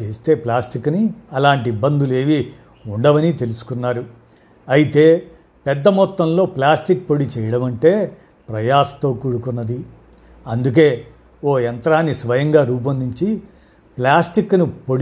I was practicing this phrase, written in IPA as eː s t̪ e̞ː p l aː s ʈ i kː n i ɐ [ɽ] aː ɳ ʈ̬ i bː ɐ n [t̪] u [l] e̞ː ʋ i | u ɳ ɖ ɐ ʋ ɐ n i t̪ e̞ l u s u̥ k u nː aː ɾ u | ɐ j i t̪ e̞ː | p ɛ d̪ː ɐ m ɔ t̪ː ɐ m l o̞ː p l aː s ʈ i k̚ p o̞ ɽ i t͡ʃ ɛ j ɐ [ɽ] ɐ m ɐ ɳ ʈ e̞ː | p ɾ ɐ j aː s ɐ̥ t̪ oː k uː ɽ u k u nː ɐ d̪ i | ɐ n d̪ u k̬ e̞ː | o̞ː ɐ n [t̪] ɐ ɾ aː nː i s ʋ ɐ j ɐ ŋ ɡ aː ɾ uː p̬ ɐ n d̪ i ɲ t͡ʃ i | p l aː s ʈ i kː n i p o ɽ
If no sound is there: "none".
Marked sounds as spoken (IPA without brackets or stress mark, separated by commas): l, d̪, l, ɽ, t̪